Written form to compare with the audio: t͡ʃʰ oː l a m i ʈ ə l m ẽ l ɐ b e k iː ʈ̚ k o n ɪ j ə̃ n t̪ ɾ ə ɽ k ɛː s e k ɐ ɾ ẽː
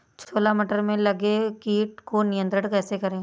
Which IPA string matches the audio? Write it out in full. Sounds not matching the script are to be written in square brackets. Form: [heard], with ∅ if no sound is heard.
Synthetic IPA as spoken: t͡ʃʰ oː l a m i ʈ ə [ɾ] m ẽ l ɐ [ɡ] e k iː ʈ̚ k o n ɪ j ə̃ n t̪ ɾ ə ɽ k ɛː s e k ɐ ɾ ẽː